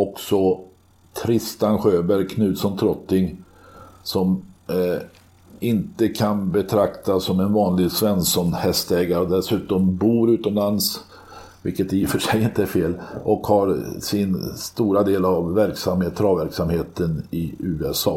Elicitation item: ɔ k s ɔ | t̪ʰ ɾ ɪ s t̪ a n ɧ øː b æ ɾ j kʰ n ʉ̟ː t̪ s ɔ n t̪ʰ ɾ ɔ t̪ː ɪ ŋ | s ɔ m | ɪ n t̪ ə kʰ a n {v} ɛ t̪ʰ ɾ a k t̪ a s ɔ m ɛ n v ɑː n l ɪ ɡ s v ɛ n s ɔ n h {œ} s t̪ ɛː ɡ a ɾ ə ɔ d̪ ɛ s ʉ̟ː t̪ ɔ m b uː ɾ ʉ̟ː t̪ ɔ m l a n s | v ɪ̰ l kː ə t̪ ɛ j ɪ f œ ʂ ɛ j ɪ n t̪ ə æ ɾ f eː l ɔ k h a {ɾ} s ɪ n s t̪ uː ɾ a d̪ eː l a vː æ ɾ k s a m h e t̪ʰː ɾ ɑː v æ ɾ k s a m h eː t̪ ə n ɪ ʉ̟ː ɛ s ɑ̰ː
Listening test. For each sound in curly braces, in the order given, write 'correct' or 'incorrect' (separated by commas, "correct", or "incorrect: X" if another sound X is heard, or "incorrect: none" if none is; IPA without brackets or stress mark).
incorrect: b, incorrect: ɛ, correct